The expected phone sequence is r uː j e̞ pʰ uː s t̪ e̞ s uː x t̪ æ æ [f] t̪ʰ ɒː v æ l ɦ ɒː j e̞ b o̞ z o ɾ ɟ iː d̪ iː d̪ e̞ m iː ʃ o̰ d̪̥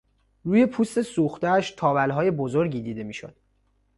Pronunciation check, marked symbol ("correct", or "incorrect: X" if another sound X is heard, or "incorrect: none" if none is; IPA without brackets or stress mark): incorrect: ʃ